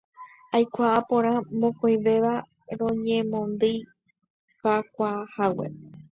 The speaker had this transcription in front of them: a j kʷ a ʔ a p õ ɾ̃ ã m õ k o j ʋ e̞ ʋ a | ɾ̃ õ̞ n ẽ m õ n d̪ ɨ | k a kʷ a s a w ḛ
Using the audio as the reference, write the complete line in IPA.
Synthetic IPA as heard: a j kʷ a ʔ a p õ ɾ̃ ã m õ k o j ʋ e̞ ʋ a | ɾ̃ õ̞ ɲ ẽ m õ n d̪ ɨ | k a kʷ a h a w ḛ